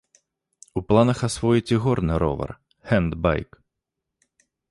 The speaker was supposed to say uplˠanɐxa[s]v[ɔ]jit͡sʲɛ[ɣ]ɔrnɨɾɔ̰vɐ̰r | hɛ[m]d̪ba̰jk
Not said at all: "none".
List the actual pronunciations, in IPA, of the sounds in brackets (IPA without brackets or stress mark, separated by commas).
s, ɔ, ɣ, n